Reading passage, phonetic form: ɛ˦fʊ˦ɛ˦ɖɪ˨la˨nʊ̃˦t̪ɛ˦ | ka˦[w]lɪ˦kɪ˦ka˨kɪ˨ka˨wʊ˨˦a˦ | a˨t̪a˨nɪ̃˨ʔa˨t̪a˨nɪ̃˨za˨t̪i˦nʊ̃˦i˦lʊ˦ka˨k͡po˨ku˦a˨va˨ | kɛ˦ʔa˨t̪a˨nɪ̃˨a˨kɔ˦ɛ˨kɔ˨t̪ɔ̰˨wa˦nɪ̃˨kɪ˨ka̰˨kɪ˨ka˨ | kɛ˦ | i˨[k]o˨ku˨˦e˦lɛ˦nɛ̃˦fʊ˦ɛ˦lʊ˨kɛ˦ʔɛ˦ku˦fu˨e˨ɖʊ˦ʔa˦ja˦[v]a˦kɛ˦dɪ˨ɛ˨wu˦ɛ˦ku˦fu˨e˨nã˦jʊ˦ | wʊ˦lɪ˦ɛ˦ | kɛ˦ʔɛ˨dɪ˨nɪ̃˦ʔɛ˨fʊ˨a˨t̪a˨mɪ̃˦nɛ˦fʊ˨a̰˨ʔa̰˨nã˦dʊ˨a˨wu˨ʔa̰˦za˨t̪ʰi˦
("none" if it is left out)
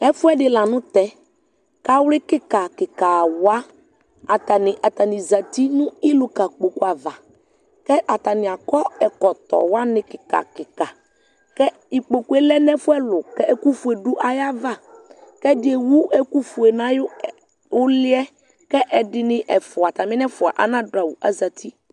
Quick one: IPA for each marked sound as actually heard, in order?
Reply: w, k͡p, v

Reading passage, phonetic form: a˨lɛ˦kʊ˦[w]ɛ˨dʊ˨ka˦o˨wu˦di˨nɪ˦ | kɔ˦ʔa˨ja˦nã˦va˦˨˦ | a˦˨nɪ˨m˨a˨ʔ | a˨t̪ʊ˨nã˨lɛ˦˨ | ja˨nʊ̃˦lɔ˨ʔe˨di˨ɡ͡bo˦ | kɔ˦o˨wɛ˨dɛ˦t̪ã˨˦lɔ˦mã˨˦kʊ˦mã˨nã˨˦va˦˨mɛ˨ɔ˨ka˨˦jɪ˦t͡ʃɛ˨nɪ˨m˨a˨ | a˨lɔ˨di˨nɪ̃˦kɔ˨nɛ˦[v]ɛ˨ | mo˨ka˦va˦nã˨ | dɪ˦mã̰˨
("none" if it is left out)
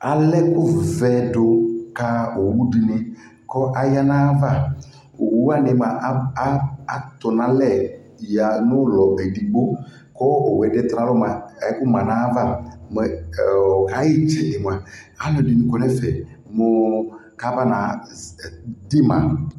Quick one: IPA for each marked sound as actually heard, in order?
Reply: v, f

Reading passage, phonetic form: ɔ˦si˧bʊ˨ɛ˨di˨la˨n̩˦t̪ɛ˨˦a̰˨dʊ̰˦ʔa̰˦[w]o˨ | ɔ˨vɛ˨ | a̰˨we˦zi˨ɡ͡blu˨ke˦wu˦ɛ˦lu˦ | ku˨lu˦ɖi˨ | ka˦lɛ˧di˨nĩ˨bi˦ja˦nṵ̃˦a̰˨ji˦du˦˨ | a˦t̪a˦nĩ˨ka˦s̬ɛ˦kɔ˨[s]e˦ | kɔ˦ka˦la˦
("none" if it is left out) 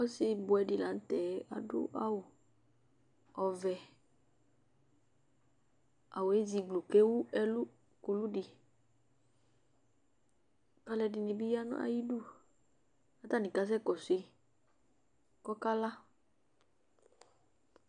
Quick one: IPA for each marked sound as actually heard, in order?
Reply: w, s

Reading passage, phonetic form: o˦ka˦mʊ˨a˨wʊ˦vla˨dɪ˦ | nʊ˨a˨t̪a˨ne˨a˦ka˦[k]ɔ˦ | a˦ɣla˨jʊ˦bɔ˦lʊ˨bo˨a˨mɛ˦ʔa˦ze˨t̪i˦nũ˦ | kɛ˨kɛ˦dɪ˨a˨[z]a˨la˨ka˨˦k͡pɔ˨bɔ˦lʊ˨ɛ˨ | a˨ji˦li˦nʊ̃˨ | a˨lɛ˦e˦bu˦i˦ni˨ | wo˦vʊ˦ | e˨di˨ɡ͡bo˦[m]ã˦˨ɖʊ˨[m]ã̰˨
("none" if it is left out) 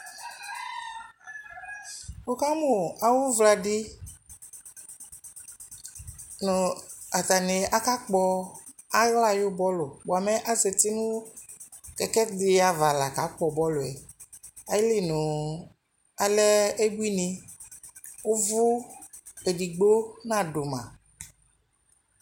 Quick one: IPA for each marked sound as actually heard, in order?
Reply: k͡p, v, n, m

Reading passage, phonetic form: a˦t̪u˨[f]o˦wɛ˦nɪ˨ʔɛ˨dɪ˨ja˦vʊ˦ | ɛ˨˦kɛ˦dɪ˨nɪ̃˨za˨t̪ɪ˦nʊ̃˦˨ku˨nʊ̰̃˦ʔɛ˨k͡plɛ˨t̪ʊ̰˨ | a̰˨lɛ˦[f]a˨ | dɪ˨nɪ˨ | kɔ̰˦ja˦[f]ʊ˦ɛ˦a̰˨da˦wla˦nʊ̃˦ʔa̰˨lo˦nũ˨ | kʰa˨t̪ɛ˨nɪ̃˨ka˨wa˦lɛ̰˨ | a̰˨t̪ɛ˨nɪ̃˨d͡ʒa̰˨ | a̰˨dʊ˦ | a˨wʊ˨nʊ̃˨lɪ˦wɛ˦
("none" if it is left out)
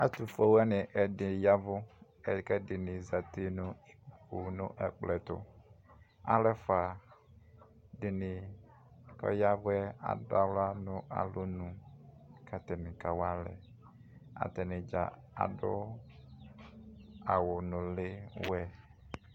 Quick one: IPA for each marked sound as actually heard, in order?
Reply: f, f, v

